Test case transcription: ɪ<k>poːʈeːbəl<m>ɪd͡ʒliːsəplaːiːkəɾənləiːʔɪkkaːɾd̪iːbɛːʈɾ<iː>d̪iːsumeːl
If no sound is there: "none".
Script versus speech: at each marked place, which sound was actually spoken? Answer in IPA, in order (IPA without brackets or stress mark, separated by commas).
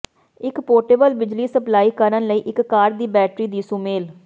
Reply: k, b, iː